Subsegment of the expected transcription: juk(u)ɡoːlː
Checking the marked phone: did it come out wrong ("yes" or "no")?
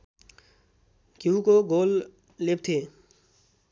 yes